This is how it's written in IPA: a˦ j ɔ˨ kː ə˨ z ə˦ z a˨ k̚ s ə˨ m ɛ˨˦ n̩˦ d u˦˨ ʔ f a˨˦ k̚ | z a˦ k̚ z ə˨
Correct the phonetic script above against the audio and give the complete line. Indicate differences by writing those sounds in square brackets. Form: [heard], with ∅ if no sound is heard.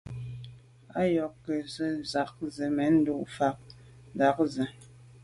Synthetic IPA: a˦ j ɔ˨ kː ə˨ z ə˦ z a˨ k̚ [z] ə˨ m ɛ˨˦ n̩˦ d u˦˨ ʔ f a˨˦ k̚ | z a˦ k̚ z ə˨